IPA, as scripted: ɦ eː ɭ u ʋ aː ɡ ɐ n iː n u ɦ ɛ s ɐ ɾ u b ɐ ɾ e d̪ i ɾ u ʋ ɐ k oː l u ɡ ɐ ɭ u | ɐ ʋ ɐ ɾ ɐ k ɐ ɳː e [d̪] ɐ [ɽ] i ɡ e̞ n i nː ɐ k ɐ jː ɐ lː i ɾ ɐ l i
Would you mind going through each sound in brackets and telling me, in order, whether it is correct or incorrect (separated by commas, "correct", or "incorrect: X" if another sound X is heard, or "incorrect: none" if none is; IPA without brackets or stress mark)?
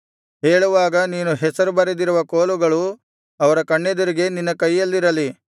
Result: correct, incorrect: ɾ